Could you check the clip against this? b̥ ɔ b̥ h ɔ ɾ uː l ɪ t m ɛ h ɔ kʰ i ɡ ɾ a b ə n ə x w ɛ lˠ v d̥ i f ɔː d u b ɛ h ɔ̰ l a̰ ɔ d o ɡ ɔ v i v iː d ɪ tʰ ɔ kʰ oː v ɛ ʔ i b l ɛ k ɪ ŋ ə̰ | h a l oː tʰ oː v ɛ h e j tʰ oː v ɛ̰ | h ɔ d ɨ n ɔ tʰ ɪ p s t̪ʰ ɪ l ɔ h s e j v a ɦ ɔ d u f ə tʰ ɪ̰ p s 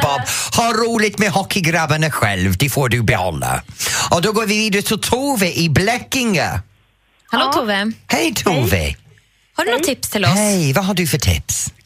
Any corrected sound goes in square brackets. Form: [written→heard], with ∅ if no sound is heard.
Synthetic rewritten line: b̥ ɔ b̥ h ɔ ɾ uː l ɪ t m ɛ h ɔ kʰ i ɡ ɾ a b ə n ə x w ɛ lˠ v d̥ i f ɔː d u b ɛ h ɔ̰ l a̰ ɔ d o ɡ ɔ v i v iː d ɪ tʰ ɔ [kʰ→tʰ] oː v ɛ ʔ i b l ɛ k ɪ ŋ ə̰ | h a l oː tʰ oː v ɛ h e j tʰ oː v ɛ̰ | h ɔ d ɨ n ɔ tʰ ɪ p s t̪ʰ ɪ l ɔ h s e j v a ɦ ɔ d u f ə tʰ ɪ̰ p s